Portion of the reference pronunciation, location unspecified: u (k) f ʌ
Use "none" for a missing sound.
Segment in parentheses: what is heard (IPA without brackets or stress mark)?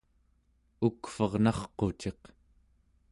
k